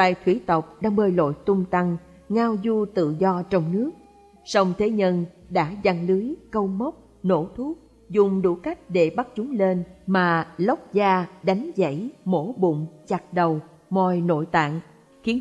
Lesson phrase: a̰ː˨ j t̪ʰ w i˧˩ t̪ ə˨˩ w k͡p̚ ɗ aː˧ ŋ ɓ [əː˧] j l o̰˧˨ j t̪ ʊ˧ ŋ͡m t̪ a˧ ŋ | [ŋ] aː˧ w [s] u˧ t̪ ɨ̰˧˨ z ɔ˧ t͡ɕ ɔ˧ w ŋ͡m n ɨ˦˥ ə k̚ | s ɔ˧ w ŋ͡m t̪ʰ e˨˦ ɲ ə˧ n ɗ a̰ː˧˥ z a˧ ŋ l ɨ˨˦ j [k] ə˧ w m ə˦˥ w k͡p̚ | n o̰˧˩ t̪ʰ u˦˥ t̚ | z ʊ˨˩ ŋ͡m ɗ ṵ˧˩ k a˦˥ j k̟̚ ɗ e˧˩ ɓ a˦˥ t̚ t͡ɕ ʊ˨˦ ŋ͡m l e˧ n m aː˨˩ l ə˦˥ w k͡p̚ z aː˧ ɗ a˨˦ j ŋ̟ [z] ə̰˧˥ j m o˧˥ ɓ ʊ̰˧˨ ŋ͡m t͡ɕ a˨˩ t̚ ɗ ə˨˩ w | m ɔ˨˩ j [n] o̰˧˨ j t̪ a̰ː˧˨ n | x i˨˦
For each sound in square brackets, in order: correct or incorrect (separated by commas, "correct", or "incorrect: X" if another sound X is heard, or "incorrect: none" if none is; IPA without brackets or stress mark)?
correct, correct, incorrect: z, correct, correct, correct